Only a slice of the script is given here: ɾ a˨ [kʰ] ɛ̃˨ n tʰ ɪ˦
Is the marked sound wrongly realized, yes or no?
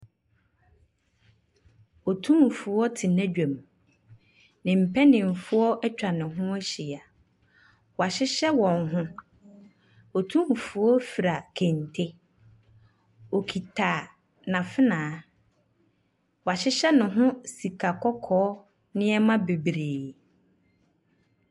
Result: no